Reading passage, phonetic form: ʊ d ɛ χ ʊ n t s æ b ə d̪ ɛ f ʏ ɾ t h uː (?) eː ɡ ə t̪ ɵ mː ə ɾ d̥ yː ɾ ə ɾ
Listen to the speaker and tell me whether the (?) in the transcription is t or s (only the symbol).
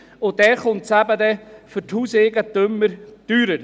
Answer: s